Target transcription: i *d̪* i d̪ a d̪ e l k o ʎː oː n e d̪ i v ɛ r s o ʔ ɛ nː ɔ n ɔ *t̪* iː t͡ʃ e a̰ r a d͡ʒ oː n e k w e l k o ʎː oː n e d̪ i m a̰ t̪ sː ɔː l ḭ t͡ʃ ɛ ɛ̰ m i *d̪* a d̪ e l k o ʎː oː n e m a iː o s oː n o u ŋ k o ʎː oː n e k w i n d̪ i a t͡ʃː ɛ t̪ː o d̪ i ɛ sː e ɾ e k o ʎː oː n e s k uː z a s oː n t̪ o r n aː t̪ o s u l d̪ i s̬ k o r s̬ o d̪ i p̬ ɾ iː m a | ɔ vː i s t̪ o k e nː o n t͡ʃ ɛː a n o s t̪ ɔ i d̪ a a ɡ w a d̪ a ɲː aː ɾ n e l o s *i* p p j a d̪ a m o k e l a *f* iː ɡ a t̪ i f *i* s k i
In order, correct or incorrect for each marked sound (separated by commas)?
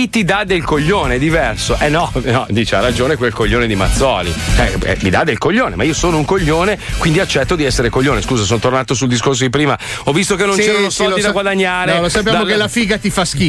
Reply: incorrect, incorrect, correct, incorrect, correct, incorrect